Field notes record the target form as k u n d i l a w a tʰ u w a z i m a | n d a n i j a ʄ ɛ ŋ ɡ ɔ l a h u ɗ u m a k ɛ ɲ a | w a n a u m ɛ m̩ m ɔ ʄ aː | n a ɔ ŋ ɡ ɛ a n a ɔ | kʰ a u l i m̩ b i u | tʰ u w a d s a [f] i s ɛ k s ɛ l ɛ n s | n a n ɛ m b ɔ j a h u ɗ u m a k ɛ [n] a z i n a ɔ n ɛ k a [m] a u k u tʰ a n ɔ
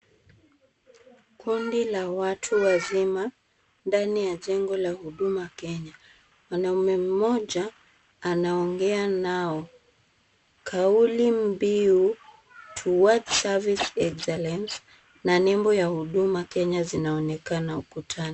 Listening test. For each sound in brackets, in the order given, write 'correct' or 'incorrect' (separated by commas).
incorrect, incorrect, incorrect